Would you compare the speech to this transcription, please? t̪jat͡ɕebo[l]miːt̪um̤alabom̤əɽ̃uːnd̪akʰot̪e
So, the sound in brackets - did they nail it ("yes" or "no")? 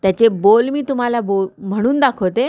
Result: yes